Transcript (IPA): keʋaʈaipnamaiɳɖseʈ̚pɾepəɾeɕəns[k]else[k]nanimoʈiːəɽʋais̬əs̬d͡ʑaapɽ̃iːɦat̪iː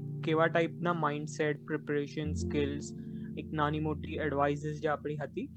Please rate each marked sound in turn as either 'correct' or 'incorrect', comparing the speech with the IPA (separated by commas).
correct, correct